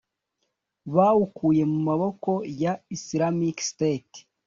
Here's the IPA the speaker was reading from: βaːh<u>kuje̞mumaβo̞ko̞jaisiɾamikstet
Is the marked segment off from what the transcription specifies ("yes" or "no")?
no